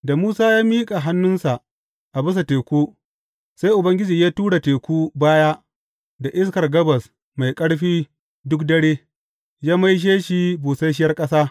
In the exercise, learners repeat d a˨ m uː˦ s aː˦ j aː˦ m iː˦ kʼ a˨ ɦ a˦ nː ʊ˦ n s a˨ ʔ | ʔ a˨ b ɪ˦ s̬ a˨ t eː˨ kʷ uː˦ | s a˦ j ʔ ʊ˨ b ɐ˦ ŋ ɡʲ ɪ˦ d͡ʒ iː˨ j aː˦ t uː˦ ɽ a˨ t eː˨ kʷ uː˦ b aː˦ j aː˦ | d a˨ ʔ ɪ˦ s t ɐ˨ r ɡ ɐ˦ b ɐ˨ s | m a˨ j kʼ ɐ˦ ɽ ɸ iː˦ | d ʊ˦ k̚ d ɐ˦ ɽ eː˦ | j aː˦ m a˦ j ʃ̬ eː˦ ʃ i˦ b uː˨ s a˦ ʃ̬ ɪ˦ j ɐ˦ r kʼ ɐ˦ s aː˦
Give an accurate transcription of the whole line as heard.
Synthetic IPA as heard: d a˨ m uː˦ s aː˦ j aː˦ m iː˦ kʼ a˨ ɦ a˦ nː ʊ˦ n s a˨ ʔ | ʔ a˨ b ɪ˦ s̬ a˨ t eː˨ kʷ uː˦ | s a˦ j ʔ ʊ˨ b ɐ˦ ŋ ɡʲ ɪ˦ d͡ʒ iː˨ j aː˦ t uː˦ ɽ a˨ t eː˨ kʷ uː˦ b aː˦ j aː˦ | d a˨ ʔ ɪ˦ s k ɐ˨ r ɡ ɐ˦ b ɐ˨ s | m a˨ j kʼ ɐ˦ ɽ ɸ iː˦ | d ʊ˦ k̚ d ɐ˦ ɽ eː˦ | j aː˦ m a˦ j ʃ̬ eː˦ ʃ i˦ b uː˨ s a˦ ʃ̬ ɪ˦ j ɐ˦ r kʼ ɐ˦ s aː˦

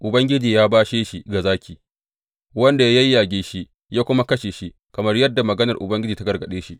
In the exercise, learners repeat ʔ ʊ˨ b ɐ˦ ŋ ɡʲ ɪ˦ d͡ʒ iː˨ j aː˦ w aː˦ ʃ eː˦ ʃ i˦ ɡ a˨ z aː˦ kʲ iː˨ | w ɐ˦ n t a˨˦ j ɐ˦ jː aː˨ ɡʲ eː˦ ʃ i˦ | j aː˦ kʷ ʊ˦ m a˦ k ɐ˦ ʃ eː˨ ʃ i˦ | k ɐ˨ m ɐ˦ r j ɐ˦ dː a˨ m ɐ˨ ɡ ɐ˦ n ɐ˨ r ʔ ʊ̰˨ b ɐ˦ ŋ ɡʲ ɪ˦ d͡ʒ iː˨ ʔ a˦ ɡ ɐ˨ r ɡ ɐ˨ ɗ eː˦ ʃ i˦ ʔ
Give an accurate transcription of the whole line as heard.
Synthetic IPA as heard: ʔ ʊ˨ b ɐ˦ ŋ ɡʲ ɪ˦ d͡ʒ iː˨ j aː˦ b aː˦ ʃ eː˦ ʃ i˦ ɡ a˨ z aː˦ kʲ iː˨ | w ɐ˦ n d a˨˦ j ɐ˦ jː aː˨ ɡʲ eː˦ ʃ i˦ | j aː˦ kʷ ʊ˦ m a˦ k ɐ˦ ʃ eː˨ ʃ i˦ | k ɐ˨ m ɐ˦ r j ɐ˦ dː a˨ m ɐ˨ ɡ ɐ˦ n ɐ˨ r ʔ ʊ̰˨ b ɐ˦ ŋ ɡʲ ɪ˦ d͡ʒ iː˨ t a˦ ɡ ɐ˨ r ɡ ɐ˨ ɗ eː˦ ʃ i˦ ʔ

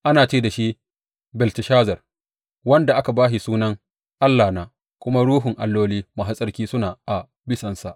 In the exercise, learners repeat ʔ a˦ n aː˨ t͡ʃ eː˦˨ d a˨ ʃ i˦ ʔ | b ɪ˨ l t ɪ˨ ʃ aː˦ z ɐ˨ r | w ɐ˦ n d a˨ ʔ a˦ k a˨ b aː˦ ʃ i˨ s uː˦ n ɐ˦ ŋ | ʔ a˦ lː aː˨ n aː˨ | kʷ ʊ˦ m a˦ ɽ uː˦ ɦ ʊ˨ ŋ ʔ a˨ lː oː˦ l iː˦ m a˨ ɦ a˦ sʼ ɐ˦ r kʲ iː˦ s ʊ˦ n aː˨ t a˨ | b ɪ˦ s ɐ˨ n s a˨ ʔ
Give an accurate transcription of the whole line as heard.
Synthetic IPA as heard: ʔ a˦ n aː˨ t͡ʃ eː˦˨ d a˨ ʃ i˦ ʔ | b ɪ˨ l t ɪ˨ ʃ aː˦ z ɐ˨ r | w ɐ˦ n d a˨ ʔ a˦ k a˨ b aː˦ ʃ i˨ s uː˦ n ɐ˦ ŋ | ʔ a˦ lː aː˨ n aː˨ | kʷ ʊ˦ m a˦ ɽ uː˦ ɦ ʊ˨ ŋ ʔ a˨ lː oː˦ l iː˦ m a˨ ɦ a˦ sʼ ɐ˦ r kʲ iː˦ s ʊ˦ n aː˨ ʔ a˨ | b ɪ˦ s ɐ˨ n s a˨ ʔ

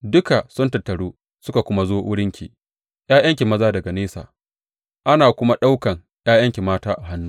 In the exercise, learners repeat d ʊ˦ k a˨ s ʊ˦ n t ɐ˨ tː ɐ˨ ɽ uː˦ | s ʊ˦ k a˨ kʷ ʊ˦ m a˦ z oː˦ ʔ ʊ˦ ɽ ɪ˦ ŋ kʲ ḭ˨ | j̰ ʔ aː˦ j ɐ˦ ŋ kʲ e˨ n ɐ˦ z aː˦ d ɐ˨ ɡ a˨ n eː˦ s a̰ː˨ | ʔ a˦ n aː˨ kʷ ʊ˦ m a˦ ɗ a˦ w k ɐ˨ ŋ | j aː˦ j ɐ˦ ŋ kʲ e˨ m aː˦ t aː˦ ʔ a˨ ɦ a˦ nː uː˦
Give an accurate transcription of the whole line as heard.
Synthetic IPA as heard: d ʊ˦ k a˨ s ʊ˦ n t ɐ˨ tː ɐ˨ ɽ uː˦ | s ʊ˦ k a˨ kʷ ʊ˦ m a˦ z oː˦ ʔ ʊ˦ ɽ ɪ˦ ŋ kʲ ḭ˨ | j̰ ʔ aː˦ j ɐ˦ ŋ kʲ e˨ m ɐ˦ z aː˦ d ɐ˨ ɡ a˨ n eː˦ s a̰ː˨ | ʔ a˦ n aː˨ kʷ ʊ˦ m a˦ ɗ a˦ w k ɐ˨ ŋ | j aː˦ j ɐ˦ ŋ kʲ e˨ m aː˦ t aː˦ ʔ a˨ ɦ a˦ nː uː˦

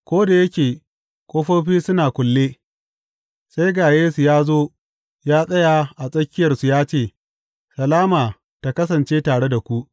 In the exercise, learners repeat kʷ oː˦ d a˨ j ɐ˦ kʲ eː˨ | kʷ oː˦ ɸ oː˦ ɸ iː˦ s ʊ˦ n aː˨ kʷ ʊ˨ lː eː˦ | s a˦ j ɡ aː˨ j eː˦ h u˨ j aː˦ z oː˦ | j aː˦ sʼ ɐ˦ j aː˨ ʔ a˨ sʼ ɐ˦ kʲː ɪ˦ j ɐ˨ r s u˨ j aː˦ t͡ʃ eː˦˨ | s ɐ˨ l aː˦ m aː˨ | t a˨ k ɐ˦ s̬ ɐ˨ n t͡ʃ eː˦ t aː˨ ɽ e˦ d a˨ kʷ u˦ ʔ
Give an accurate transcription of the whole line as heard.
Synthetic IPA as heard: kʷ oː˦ d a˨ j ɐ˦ kʲ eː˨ | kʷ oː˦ ɸ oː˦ ɸ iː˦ s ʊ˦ n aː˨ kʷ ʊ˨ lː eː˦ | s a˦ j ɡ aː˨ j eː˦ s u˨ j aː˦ z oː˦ | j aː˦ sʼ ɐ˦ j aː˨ ʔ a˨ sʼ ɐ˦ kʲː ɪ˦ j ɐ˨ r s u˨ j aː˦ t͡ʃ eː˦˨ | s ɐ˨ l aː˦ m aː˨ | t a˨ k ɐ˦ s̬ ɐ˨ n t͡ʃ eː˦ t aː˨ ɽ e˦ d a˨ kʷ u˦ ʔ

